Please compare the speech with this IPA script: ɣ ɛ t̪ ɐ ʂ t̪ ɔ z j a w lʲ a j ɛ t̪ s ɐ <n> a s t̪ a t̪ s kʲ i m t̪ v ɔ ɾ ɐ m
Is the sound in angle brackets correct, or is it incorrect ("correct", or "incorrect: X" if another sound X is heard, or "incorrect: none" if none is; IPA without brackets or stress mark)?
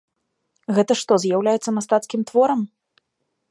incorrect: m